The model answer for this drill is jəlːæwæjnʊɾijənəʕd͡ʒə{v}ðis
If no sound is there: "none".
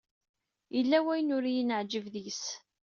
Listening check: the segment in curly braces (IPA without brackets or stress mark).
v